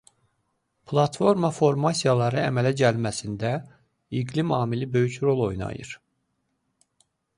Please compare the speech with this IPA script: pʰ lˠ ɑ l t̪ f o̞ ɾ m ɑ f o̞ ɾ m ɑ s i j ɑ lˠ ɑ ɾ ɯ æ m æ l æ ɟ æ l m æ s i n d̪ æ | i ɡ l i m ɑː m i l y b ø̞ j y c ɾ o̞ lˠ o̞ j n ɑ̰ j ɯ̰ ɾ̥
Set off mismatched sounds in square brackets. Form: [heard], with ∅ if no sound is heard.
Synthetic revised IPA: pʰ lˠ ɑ [∅] t̪ f o̞ ɾ m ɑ f o̞ ɾ m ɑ s i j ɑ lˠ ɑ ɾ ɯ æ m æ l æ ɟ æ l m æ s i n d̪ æ | i ɡ l i m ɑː m i l [i] b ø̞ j y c ɾ o̞ lˠ o̞ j n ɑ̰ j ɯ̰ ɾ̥